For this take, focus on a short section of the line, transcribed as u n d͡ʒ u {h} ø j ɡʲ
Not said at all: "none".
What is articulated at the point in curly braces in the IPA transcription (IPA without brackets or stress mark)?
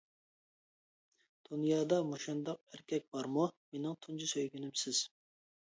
s